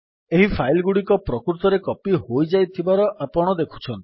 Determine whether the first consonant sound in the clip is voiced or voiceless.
voiced